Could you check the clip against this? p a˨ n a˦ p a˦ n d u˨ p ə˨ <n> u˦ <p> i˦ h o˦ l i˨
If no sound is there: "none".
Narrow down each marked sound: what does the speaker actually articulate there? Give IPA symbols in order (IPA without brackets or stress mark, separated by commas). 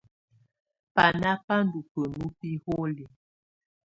n, p